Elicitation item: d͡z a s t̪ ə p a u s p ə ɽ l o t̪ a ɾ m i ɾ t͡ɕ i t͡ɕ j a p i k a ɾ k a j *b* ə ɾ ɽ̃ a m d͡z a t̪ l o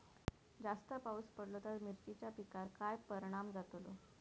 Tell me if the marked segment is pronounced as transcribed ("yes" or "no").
no